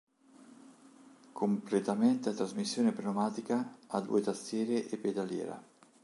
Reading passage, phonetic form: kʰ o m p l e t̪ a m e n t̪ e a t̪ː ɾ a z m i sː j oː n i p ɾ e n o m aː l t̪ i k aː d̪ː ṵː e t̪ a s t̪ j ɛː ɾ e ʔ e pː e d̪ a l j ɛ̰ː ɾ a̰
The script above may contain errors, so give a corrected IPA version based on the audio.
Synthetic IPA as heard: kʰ o m p l e t̪ a m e n t̪ e a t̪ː ɾ a z m i sː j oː n e p ɾ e n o m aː t̪ i k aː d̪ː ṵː e t̪ a s t̪ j ɛː ɾ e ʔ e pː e d̪ a l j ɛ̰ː ɾ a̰